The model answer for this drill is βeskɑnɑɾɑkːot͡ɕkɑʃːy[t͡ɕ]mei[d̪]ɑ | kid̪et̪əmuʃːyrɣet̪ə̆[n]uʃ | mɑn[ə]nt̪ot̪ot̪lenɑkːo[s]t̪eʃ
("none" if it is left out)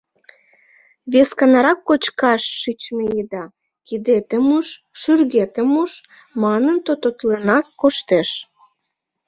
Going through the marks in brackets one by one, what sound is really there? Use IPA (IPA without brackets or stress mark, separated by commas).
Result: t͡ɕ, d̪, m, ə, ʃ